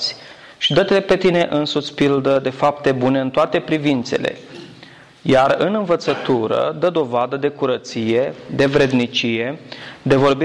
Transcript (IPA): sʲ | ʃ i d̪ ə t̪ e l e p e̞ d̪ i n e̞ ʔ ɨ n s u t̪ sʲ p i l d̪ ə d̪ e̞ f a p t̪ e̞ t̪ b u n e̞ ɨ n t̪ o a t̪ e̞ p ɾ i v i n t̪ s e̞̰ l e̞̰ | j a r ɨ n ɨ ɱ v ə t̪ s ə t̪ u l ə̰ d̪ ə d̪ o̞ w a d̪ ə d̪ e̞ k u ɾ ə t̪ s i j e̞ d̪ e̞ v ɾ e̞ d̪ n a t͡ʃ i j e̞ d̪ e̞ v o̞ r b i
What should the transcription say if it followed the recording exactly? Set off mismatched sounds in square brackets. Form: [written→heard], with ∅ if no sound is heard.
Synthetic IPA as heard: sʲ | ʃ i d̪ ə t̪ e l e p e̞ [d̪→t̪] i n e̞ ʔ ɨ n s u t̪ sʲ p i l d̪ ə d̪ e̞ f a p t̪ e̞ [t̪→∅] b u n e̞ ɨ n t̪ o a t̪ e̞ p ɾ i v i n t̪ s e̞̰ l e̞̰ | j a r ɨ n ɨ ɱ v ə t̪ s ə t̪ u [l→ɾ] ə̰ d̪ ə d̪ o̞ [w→v] a d̪ ə d̪ e̞ k u ɾ ə t̪ s i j e̞ d̪ e̞ v ɾ e̞ d̪ n [a→i] t͡ʃ i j e̞ d̪ e̞ v o̞ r b i